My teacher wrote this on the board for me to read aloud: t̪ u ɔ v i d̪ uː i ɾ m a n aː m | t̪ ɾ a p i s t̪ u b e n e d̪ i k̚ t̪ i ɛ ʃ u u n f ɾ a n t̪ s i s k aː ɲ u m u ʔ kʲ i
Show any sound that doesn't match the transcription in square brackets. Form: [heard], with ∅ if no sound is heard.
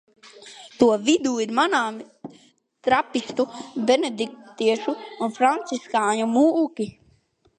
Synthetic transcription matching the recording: t̪ u ɔ v i d̪ uː i ɾ m a n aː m | t̪ ɾ a p i s t̪ u b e n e d̪ i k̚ t̪ i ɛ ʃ u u n f ɾ a n t̪ s i s k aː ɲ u m u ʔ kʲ i